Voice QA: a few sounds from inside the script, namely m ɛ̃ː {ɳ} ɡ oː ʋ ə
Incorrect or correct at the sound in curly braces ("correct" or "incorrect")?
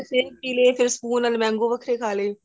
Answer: incorrect